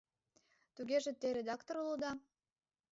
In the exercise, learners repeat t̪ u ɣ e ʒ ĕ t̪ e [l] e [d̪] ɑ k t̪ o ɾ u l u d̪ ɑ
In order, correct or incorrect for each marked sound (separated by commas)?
incorrect, correct